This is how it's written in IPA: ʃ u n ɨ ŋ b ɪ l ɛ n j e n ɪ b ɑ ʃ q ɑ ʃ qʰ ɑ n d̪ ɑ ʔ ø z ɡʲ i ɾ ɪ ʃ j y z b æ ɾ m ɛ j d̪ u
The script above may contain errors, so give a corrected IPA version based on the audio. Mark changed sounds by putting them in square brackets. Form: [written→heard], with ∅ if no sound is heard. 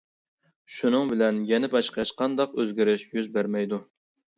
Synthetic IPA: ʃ u n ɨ ŋ b ɪ l ɛ n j [e→ɛ] n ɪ b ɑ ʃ q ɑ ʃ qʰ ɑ n d̪ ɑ [ʔ→q] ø z ɡʲ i ɾ ɪ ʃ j y z b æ ɾ m ɛ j d̪ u